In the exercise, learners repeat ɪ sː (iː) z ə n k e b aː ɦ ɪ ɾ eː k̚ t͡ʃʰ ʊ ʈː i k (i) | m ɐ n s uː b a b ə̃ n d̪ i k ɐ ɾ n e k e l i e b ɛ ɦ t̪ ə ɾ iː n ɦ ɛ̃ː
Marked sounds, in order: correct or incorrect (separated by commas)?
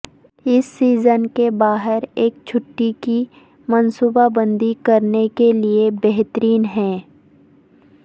correct, correct